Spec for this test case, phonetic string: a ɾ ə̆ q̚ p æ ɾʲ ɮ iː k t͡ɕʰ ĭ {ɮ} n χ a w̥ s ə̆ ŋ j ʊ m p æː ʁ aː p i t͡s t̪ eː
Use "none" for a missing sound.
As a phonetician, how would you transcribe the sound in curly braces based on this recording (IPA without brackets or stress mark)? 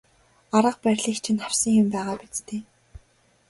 none